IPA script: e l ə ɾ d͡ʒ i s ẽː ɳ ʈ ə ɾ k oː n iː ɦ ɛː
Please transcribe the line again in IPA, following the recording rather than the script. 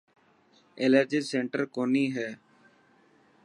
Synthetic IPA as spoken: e l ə ɾ d͡ʒ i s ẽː ɳ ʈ ə ɾ k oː n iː ɦ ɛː